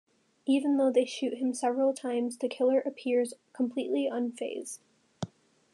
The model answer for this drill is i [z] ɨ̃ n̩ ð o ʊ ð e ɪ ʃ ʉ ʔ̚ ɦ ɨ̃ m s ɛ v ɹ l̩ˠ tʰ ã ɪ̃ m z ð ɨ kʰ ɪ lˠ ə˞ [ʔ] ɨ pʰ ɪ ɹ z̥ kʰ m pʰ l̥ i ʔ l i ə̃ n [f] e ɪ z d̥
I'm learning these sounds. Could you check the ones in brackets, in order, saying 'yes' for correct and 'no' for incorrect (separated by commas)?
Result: no, yes, yes